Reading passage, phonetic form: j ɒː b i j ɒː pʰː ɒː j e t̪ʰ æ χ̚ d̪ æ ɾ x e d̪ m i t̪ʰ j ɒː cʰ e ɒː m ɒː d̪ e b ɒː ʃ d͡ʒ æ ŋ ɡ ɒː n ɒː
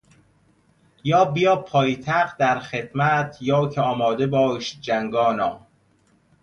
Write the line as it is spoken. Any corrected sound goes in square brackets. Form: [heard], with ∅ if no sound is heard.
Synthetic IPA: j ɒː b i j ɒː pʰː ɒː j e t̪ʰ æ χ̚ d̪ æ ɾ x e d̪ m [æ] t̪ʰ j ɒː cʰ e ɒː m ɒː d̪ e b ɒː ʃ d͡ʒ æ ŋ ɡ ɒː n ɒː